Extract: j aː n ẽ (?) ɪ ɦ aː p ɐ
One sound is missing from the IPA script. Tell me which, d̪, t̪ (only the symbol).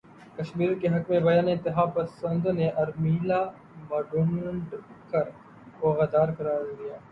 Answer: t̪